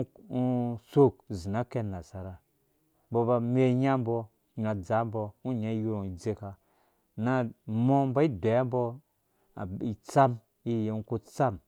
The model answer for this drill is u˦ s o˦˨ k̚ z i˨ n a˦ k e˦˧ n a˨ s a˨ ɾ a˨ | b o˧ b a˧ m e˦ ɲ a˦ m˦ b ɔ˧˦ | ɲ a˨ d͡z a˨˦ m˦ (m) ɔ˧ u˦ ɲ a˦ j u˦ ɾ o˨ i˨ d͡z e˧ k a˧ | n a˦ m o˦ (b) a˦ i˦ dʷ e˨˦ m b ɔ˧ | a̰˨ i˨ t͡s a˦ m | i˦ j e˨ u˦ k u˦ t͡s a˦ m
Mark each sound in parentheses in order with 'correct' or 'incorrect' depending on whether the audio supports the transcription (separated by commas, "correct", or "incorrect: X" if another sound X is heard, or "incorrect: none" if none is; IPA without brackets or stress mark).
incorrect: b, correct